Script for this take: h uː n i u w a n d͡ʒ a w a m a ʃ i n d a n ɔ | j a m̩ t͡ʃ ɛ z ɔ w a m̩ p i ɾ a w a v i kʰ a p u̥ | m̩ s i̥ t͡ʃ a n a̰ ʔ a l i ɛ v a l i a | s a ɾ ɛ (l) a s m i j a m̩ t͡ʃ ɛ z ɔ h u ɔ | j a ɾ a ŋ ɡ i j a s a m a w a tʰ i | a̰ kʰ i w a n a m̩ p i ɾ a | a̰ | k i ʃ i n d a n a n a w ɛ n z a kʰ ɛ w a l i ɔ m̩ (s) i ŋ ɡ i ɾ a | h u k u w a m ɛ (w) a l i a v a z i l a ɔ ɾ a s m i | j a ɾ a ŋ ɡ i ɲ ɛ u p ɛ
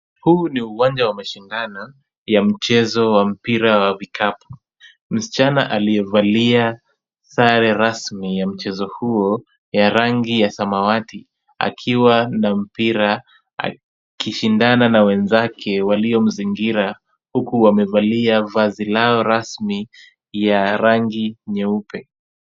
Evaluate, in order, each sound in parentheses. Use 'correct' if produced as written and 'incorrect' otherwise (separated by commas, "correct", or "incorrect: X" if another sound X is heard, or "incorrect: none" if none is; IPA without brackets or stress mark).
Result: incorrect: ɾ, incorrect: z, incorrect: v